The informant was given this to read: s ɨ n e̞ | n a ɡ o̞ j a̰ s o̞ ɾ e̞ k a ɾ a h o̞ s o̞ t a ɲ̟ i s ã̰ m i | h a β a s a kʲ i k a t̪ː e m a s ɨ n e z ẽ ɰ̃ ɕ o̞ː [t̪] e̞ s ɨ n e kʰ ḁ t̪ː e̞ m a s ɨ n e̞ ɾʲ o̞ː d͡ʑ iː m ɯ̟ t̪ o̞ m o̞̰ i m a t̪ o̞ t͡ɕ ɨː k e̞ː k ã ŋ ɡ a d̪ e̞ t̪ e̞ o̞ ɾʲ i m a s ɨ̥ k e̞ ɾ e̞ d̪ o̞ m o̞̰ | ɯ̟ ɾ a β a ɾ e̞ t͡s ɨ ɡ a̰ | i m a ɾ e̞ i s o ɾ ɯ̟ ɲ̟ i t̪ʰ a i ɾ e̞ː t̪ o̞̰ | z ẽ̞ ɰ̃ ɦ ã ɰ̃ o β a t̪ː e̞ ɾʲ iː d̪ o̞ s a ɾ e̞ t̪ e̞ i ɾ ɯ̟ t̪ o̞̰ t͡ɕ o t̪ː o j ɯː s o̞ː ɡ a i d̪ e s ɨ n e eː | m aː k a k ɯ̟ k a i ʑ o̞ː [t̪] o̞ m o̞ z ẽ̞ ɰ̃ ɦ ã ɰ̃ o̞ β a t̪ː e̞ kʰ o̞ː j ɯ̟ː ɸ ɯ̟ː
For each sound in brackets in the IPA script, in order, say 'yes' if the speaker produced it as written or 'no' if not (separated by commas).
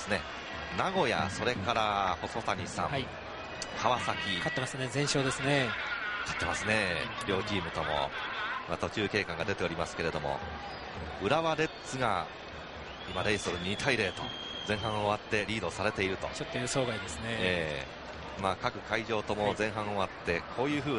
no, yes